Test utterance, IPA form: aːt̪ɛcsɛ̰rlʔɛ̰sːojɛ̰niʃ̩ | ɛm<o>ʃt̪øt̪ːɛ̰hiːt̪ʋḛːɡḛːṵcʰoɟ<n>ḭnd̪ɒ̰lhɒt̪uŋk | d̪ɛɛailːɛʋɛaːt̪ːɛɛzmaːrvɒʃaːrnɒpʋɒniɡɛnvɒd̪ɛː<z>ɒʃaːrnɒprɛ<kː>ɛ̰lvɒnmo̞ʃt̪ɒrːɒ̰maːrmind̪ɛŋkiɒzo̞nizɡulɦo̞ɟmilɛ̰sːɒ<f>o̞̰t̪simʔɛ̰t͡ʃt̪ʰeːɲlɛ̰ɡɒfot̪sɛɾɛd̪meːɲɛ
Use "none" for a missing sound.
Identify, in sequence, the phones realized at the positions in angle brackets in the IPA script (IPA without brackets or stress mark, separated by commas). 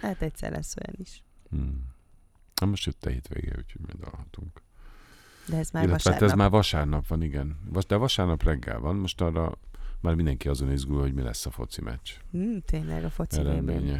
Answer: o, m, v, ɡː, f